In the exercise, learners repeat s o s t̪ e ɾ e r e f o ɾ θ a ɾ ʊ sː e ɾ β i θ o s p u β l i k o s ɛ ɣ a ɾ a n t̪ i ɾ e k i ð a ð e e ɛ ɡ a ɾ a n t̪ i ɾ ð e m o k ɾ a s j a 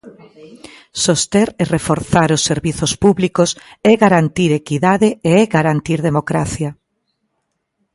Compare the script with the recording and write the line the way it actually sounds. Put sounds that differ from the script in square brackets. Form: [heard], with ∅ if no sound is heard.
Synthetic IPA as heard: s o s t̪ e ɾ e r e f o ɾ θ a ɾ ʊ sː e ɾ β i θ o s p u β l i k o s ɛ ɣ a ɾ a n t̪ i ɾ e k i ð a ð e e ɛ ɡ a ɾ a n t̪ i ɾ ð e m o k ɾ a [θ] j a